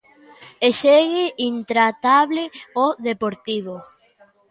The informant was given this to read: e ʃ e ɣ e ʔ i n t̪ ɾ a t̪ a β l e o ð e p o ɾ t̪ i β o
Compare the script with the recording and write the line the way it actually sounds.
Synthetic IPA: e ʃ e ɣ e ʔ i n t̪ ɾ a t̪ a β l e o ð e p o ɾ t̪ i β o